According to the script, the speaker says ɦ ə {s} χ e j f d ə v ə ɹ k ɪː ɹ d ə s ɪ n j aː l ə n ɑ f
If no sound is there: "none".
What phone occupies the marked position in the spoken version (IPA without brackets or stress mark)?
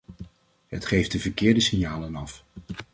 t